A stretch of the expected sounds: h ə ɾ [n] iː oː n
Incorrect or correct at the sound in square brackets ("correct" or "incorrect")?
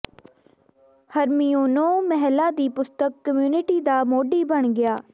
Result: incorrect